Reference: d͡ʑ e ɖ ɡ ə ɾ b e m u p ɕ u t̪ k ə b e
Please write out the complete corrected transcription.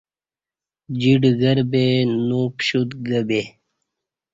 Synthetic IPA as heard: d͡ʑ i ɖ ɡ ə ɾ b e n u p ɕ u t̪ ɡ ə b e